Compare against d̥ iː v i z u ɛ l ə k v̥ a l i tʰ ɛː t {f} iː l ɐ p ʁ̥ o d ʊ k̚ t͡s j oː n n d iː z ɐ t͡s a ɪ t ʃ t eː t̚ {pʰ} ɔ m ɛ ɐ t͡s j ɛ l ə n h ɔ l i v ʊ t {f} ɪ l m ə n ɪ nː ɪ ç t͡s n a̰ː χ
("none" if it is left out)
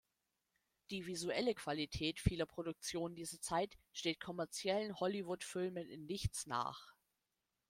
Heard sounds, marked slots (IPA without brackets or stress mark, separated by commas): f, kʰ, f